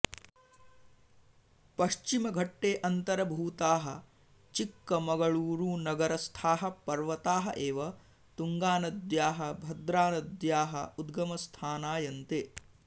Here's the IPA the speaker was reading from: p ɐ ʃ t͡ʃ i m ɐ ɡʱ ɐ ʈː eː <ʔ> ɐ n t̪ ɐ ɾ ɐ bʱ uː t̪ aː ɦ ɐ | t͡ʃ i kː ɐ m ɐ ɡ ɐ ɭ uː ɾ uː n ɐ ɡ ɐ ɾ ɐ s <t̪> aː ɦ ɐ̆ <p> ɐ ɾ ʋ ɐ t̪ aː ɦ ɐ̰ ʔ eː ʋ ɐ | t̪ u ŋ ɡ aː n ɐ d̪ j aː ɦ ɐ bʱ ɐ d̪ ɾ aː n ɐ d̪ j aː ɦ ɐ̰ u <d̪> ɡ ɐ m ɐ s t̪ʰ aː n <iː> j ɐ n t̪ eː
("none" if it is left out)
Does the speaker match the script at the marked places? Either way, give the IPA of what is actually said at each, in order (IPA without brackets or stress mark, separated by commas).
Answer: ʔ, t̪ʰ, p, d̪, aː